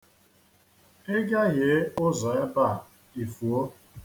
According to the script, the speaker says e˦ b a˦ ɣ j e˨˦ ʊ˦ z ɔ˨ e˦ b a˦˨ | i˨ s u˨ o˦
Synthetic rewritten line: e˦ ɡ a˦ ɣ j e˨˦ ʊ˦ z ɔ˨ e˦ b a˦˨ | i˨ f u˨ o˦